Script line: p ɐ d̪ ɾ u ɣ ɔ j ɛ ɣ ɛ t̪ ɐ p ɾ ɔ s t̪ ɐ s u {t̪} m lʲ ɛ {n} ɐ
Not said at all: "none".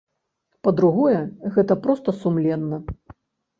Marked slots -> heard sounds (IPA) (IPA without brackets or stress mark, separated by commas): none, nː